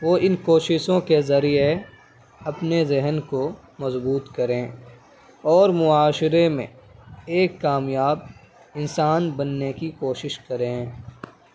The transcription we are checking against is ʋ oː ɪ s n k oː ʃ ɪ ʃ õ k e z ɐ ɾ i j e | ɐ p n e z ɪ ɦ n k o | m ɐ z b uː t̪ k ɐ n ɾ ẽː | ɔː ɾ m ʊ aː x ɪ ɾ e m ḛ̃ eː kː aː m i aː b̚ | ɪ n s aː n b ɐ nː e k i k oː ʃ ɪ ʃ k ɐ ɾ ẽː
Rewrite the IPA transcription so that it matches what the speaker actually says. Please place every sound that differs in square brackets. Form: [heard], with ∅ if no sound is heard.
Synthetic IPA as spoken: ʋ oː ɪ [∅] n k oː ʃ ɪ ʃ õ k e z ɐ ɾ i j e | ɐ p n e z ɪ ɦ n k o | m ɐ z b uː t̪ k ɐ [∅] ɾ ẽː | ɔː ɾ m ʊ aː [ʃ] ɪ ɾ e m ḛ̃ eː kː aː m [j] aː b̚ | ɪ n s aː n b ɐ nː e k i k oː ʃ ɪ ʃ k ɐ ɾ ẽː